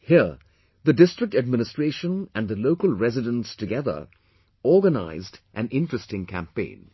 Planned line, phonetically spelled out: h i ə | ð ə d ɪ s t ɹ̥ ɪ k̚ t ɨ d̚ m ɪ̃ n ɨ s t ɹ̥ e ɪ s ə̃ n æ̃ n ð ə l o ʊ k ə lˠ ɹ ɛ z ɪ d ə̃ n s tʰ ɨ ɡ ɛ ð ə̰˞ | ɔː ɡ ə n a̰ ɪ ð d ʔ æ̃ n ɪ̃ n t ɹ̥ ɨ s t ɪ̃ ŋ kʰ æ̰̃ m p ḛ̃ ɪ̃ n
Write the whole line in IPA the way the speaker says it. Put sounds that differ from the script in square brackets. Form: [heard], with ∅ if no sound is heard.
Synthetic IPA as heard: h i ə | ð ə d ɪ s t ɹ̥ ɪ k̚ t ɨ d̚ m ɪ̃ n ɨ s t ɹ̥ e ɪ [ʃ] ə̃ n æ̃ n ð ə l o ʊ k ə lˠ ɹ ɛ z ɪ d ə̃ n s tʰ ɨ ɡ ɛ ð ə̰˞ | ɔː ɡ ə n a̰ ɪ [z] d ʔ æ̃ n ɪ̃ n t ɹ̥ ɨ s t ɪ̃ ŋ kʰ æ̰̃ m p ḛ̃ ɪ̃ n